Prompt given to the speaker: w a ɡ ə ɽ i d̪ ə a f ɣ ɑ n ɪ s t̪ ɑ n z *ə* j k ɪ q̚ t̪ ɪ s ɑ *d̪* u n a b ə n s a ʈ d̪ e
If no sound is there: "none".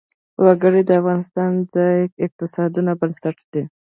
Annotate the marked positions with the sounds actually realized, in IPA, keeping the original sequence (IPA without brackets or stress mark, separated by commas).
ɑ, d̪